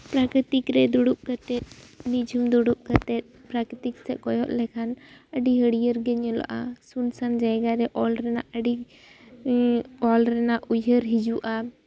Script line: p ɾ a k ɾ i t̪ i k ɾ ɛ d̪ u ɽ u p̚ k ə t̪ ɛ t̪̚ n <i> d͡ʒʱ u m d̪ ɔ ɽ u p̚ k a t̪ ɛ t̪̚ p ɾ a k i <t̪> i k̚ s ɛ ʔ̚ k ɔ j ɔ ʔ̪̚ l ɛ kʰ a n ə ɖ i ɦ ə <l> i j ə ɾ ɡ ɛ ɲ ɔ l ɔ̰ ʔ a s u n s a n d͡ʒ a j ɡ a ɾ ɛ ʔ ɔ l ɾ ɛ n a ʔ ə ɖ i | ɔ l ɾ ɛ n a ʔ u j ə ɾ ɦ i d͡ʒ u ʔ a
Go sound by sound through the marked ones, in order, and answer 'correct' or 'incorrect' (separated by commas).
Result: correct, correct, incorrect